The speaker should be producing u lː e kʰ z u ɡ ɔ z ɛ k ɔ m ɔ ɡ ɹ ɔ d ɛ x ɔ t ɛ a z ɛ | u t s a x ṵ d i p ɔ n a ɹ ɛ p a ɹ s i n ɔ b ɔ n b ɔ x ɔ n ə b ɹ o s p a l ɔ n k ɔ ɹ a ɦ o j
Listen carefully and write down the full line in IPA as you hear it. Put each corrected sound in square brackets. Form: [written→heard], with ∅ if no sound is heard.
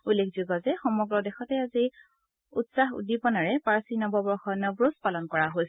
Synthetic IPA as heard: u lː e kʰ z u ɡ ɔ z ɛ [k→x] ɔ m ɔ ɡ ɹ ɔ d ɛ x ɔ t ɛ a z [ɛ→i] | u t s a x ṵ d i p ɔ n a ɹ ɛ p a ɹ s i n ɔ b ɔ [n→∅] b ɔ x ɔ n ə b ɹ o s p a l ɔ n k ɔ ɹ a ɦ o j